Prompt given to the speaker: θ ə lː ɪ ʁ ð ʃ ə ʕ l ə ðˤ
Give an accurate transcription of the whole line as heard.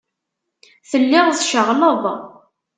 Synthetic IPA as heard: θ ə lː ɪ ʁ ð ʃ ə ʁ l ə ðˤ